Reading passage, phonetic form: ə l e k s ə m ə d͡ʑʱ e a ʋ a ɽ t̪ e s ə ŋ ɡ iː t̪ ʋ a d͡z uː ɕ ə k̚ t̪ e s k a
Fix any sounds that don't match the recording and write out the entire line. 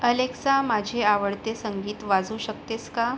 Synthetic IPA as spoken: ə l e k s a m a d͡ʑʱ e a ʋ ə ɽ t̪ e s ə ŋ ɡ iː t̪ ʋ a d͡z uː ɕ ə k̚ t̪ e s k a

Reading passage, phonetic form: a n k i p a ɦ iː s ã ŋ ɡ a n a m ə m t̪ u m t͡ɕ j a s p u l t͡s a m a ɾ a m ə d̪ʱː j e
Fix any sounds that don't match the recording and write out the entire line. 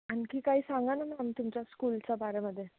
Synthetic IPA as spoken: a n k i k a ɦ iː s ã ŋ ɡ a n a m a m t̪ u m t͡ɕ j a s k u l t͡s a b a ɾ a m ə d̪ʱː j e

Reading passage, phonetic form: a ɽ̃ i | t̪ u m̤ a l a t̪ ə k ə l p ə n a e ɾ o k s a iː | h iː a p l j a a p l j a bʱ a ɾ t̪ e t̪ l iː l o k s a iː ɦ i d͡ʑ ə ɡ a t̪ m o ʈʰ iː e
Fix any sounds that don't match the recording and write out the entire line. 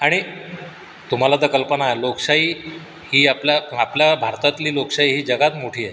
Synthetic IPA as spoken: a ɽ̃ i | t̪ u m̤ a l a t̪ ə k ə l p ə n a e l o k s a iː | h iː a p l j a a p l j a bʱ a ɾ t̪ a t̪ l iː l o k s a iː ɦ iː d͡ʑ ə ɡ a t̪ m o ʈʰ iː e

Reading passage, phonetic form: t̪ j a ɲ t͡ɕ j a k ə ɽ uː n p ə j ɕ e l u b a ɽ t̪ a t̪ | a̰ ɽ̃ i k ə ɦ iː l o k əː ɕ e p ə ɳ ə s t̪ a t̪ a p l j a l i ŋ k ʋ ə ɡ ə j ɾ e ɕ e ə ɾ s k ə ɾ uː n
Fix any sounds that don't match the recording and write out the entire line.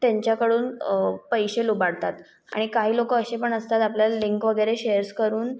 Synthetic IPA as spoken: t̪ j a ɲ t͡ɕ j a k ə ɽ uː n p ə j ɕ e l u b a ɽ t̪ a t̪ | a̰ ɽ̃ i k a ɦ iː l o k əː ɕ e p ə ɳ ə s t̪ a t̪ a p l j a l i ŋ k ʋ ə ɡ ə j ɾ e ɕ e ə ɾ s k ə ɾ uː n

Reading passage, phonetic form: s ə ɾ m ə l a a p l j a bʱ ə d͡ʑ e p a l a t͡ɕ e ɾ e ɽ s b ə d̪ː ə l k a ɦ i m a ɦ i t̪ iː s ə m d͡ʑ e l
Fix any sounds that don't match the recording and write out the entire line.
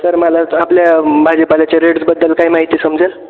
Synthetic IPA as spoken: s ə ɾ m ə l a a p l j a bʱ a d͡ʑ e p a l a t͡ɕ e ɾ e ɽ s b ə d̪ː ə l k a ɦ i m a ɦ i t̪ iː s ə m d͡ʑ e l

